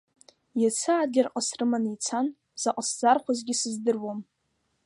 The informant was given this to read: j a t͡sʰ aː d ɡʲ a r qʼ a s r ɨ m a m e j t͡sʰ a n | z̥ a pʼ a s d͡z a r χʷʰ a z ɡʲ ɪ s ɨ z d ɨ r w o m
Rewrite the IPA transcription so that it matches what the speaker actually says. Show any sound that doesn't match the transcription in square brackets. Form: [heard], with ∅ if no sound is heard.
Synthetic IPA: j a t͡sʰ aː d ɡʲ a r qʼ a s r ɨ m a [n] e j t͡sʰ a n | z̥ a [qʼ] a s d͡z a r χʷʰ a z ɡʲ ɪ s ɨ z d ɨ r w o m